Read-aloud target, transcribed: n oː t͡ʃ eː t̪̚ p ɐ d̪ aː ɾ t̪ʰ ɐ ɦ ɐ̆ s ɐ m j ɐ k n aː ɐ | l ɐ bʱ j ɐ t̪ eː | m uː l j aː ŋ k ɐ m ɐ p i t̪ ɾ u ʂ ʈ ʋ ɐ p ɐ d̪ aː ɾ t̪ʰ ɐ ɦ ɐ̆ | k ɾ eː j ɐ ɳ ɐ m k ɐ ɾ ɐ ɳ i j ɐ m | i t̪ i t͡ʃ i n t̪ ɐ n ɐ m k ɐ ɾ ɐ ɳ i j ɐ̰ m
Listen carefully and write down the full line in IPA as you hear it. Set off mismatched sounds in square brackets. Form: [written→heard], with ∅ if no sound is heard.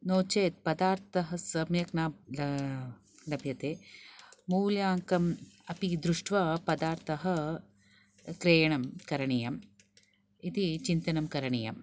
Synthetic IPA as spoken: n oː t͡ʃ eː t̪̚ p ɐ d̪ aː ɾ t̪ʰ ɐ ɦ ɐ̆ s ɐ m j ɐ k n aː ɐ | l ɐ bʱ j ɐ t̪ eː | m uː l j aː ŋ k ɐ m ɐ p i [t̪→d̪] ɾ u ʂ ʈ ʋ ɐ p ɐ d̪ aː ɾ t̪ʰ ɐ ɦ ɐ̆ | k ɾ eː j ɐ ɳ ɐ m k ɐ ɾ ɐ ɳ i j ɐ m | i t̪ i t͡ʃ i n t̪ ɐ n ɐ m k ɐ ɾ ɐ ɳ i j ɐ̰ m